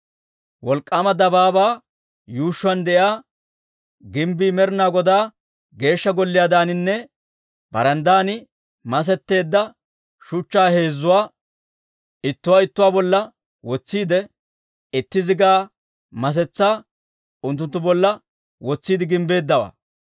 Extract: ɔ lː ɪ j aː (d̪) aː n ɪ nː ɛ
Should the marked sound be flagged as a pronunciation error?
no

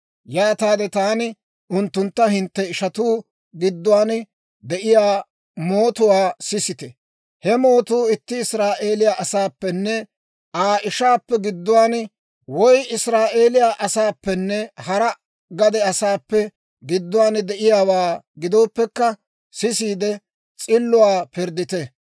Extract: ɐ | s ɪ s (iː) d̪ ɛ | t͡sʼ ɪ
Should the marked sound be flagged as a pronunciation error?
no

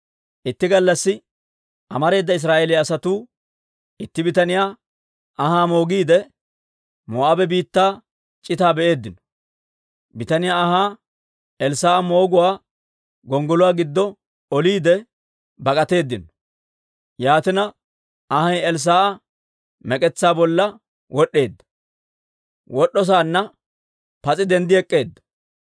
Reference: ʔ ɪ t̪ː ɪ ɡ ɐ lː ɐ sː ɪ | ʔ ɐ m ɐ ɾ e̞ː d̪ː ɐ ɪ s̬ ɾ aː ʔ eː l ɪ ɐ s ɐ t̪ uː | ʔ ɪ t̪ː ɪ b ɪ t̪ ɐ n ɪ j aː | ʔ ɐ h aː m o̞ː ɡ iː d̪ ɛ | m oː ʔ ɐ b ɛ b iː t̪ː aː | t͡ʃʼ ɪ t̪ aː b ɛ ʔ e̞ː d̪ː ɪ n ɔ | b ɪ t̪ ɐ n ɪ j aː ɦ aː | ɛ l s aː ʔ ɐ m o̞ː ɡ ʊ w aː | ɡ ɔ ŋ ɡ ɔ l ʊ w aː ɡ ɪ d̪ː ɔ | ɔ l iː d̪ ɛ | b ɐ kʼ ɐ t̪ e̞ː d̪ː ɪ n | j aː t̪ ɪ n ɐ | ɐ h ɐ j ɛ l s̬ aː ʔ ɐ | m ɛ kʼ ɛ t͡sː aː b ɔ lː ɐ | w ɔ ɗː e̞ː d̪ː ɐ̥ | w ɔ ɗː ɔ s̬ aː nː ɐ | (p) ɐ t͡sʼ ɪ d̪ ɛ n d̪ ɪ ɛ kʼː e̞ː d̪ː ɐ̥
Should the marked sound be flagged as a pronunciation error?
no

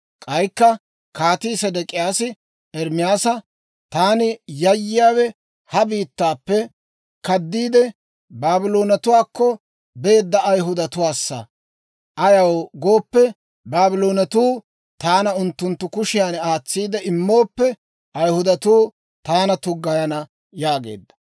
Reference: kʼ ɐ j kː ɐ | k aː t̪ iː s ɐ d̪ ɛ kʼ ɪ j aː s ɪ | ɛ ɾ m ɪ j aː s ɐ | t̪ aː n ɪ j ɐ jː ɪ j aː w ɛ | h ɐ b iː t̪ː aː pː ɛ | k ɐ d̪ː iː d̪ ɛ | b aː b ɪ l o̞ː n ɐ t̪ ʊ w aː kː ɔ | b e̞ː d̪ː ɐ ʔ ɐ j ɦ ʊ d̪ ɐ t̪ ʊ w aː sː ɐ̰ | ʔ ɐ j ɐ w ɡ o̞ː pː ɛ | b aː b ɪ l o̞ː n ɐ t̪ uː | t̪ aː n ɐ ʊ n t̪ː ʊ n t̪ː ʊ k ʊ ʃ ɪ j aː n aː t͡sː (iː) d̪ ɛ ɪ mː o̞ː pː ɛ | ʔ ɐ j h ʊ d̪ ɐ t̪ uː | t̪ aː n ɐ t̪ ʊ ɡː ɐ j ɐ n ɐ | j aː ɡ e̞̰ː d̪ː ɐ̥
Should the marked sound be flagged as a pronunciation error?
no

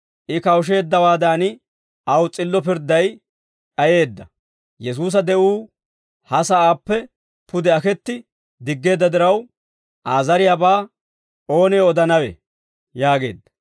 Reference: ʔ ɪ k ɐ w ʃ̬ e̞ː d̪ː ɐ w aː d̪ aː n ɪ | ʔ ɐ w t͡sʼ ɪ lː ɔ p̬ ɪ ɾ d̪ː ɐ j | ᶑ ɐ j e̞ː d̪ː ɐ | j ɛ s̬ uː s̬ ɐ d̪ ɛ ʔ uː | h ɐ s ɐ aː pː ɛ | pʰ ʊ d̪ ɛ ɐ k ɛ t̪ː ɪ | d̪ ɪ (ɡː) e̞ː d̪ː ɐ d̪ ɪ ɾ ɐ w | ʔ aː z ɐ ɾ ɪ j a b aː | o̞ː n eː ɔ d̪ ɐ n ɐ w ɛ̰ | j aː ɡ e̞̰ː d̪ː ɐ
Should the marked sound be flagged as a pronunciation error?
no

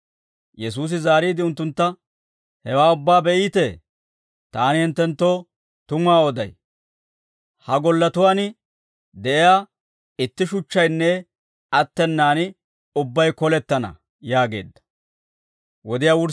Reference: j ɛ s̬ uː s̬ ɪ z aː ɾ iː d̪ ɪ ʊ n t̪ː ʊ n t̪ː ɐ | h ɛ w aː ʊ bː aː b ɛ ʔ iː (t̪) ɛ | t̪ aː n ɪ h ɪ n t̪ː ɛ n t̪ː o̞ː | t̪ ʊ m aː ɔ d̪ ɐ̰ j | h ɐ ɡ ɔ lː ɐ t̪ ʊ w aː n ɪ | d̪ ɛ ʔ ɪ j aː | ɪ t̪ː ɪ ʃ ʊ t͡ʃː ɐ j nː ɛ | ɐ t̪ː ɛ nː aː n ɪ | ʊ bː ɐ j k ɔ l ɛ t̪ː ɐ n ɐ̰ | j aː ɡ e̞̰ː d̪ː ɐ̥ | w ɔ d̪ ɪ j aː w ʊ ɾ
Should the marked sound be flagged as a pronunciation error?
no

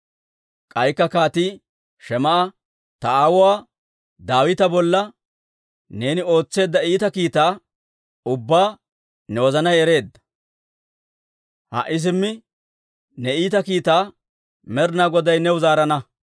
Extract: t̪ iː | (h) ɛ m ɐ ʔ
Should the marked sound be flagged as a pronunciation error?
yes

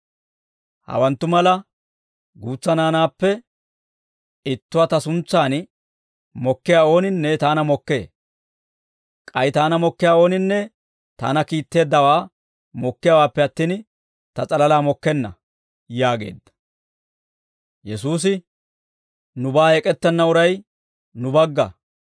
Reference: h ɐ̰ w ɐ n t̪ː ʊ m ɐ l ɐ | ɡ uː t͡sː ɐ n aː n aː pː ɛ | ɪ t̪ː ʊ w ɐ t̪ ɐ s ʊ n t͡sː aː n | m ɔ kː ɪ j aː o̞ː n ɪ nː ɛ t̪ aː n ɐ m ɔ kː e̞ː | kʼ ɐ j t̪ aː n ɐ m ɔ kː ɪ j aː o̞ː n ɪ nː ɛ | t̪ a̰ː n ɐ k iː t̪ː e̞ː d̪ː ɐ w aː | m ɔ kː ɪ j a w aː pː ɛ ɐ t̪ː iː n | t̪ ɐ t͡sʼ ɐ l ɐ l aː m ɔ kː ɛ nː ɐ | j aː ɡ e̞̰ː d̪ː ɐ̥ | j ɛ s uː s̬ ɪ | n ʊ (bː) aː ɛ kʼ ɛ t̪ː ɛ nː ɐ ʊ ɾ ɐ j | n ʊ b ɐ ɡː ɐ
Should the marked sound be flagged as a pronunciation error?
yes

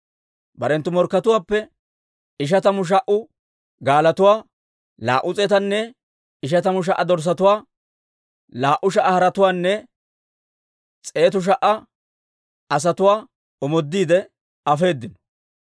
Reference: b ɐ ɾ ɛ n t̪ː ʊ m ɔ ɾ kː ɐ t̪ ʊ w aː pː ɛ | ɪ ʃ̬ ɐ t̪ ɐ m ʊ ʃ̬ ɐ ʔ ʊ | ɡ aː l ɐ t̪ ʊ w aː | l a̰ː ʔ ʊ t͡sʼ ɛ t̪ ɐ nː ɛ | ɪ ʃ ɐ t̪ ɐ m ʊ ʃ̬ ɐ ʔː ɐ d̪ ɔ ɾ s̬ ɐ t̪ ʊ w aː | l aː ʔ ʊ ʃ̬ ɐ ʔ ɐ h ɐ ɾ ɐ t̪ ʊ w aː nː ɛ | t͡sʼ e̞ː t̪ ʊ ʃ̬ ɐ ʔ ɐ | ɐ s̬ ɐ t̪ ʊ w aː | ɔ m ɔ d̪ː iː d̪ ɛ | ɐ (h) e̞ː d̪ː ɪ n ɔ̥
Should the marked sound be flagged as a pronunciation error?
yes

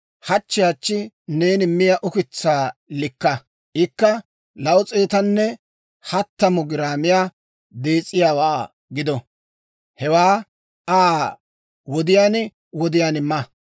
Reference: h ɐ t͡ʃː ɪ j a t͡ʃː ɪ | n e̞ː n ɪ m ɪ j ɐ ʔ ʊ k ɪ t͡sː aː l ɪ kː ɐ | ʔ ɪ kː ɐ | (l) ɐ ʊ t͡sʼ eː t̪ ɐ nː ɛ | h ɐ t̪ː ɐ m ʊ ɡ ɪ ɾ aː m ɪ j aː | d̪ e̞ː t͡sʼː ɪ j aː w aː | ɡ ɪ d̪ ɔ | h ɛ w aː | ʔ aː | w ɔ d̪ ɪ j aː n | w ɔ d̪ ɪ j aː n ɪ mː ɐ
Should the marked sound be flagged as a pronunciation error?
no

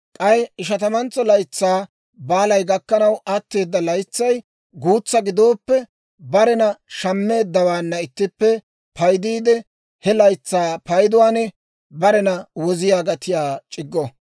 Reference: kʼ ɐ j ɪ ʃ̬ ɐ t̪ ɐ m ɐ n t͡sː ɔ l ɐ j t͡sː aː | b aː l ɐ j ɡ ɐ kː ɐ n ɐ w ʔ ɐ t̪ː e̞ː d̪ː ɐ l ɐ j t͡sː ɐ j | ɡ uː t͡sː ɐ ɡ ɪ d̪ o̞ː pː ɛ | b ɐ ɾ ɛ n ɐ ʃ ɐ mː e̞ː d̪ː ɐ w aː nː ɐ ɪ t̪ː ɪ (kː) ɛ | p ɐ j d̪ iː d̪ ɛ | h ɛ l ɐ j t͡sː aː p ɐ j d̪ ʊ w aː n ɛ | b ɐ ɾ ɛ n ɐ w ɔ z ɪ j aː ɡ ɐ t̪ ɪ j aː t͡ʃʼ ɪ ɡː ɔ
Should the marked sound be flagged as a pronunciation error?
yes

